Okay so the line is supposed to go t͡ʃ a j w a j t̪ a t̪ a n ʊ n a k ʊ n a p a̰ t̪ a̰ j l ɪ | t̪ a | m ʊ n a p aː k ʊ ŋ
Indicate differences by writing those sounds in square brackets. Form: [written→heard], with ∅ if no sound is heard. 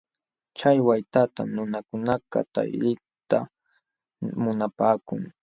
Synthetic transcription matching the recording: t͡ʃ a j w a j t̪ a t̪ a n ʊ n a k ʊ n a [p→k] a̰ t̪ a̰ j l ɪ | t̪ a | m ʊ n a p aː k ʊ ŋ